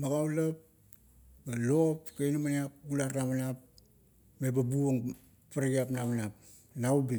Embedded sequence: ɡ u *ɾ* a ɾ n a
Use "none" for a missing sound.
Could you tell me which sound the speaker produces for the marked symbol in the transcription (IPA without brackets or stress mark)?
l